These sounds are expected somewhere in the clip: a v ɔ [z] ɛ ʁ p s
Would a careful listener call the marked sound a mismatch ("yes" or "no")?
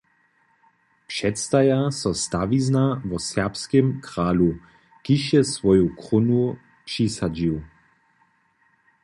yes